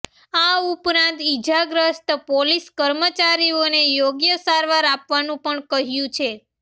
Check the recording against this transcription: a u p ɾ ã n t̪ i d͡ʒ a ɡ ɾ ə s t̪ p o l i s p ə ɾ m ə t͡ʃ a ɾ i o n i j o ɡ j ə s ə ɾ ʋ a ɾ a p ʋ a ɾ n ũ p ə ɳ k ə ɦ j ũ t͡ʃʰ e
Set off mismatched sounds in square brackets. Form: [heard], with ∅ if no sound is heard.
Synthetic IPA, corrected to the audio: a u p ɾ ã n t̪ i d͡ʒ a ɡ ɾ ə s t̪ p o l i s [k] ə ɾ m ə t͡ʃ a ɾ i o n [e] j o ɡ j ə s [a] ɾ ʋ a ɾ a p ʋ a [∅] n ũ p ə ɳ k ə ɦ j ũ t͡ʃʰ e